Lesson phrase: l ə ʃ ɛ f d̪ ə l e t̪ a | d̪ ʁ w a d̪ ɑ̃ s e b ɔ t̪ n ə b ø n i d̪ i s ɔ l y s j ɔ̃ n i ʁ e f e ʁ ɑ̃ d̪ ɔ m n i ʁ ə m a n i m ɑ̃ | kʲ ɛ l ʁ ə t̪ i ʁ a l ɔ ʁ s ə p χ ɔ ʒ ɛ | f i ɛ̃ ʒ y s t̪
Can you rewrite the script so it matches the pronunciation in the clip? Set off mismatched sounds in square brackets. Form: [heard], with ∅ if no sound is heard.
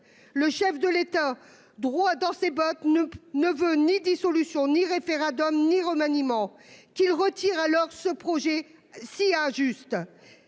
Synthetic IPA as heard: l ə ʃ ɛ f d̪ ə l e t̪ a | d̪ ʁ w a d̪ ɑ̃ s e b ɔ t̪ n ə [v] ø n i d̪ i s ɔ l y s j ɔ̃ n i ʁ e f e ʁ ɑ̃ d̪ ɔ m n i ʁ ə m a n i m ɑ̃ | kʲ [i] l ʁ ə t̪ i ʁ a l ɔ ʁ s ə p χ ɔ ʒ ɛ | [s] i ɛ̃ ʒ y s t̪

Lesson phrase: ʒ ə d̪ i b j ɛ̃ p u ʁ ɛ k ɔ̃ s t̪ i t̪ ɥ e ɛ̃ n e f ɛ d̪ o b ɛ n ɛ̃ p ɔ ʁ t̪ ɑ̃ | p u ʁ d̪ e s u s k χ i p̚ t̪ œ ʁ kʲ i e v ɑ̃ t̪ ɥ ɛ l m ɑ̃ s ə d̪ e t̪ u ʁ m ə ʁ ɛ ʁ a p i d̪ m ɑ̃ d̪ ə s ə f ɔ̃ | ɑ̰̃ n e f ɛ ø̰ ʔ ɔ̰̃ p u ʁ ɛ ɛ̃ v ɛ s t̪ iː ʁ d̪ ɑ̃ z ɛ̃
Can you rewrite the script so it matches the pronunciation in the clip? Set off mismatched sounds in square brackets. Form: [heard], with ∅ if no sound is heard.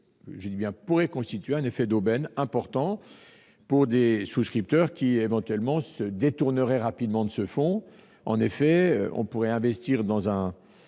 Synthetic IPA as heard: ʒ ə d̪ i b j ɛ̃ p u ʁ ɛ k ɔ̃ s t̪ i t̪ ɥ e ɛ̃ n e f ɛ d̪ o b ɛ n ɛ̃ p ɔ ʁ t̪ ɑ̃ | p u ʁ d̪ e s u s k χ i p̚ t̪ œ ʁ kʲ i e v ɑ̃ t̪ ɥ ɛ l m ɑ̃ s ə d̪ e t̪ u ʁ [n] ə ʁ ɛ ʁ a p i d̪ m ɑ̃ d̪ ə s ə f ɔ̃ | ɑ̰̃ n e f ɛ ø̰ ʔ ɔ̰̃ p u ʁ ɛ ɛ̃ v ɛ s t̪ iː ʁ d̪ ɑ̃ z ɛ̃

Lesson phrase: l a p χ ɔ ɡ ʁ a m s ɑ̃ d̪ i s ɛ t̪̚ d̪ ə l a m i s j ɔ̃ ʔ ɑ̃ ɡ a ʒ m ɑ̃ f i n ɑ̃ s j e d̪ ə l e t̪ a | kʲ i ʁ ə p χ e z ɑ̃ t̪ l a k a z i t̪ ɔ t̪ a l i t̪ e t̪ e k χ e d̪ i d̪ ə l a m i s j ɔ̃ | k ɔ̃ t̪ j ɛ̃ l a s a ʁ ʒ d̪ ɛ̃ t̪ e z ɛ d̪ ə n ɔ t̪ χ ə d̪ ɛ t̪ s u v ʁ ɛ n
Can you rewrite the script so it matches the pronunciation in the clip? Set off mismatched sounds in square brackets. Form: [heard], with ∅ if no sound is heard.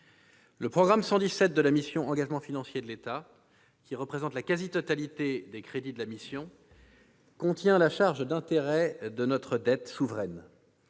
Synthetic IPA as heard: l [ə] p χ ɔ ɡ ʁ a m s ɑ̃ d̪ i s ɛ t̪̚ d̪ ə l a m i s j ɔ̃ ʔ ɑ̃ ɡ a ʒ m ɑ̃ f i n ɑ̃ s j e d̪ ə l e t̪ a | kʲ i ʁ ə p χ e z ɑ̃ t̪ l a k a z i t̪ ɔ t̪ a l i t̪ e [d̪] e k χ e d̪ i d̪ ə l a m i s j ɔ̃ | k ɔ̃ t̪ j ɛ̃ l a [ʃ] a ʁ ʒ d̪ ɛ̃ t̪ e [ʁ] ɛ d̪ ə n ɔ t̪ χ ə d̪ ɛ t̪ s u v ʁ ɛ n

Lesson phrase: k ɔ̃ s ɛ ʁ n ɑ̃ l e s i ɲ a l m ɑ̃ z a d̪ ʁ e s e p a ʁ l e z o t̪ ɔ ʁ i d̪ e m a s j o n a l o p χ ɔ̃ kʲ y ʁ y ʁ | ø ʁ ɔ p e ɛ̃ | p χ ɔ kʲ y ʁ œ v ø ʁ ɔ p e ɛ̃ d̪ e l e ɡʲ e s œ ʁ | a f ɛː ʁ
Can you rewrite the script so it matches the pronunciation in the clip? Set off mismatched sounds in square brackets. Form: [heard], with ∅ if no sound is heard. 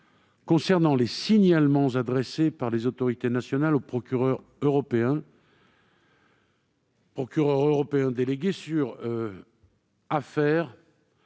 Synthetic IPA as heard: k ɔ̃ s ɛ ʁ n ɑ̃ l e s i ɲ a l m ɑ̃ z a d̪ ʁ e s e p a ʁ l e z o t̪ ɔ ʁ i [t̪] e [n] a s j [ɔ] n a l o p χ [ɔ] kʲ y ʁ [œ] ʁ | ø ʁ ɔ p e ɛ̃ | p χ ɔ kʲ y ʁ œ [ʁ] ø ʁ ɔ p e ɛ̃ d̪ e l e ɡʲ e s [y] ʁ | a f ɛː ʁ

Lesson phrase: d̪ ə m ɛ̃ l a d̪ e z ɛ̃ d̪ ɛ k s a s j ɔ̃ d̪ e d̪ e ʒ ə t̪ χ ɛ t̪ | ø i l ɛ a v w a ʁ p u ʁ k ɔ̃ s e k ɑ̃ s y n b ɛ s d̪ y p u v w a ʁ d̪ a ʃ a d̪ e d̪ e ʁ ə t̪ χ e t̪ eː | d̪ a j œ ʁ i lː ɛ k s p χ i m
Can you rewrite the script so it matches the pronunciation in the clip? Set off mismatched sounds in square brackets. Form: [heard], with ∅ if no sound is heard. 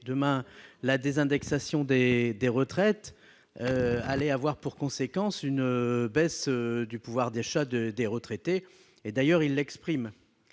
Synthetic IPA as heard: d̪ ə m ɛ̃ l a d̪ e z ɛ̃ d̪ ɛ k s a s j ɔ̃ d̪ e d̪ e [ʁ] ə t̪ χ ɛ t̪ | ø [a] l ɛ a v w a ʁ p u ʁ k ɔ̃ s e k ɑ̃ s y n b ɛ s d̪ y p u v w a ʁ d̪ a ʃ a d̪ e d̪ e ʁ ə t̪ χ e t̪ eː | d̪ a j œ ʁ i lː ɛ k s p χ i m

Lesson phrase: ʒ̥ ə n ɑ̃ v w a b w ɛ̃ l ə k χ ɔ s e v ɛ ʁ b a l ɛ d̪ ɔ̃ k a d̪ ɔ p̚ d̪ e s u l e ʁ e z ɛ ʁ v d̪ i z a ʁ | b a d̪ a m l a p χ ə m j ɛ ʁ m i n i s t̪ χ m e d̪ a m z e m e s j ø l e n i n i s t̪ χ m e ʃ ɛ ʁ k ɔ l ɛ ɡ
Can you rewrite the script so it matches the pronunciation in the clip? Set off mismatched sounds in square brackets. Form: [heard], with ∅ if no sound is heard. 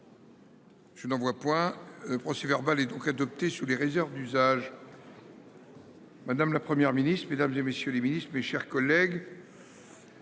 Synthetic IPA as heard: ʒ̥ ə n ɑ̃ v w a [p] w ɛ̃ l ə [p] χ ɔ s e v ɛ ʁ b a l ɛ d̪ ɔ̃ k a d̪ ɔ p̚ [t̪] e s u l e ʁ e z ɛ ʁ v d̪ [y] z a [ʒ] | [m] a d̪ a m l a p χ ə m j ɛ ʁ m i n i s t̪ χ m e d̪ a m z e m e s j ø l e [m] i n i s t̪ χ m e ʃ ɛ ʁ k ɔ l ɛ ɡ

